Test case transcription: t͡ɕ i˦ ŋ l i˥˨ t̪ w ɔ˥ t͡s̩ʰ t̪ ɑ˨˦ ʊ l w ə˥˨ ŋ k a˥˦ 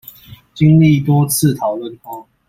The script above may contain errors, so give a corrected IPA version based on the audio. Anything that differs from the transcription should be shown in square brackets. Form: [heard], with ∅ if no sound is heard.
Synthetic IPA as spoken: t͡ɕ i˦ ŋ l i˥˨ t̪ w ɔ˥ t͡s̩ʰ [t̪ʰ] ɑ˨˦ ʊ l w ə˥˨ [n] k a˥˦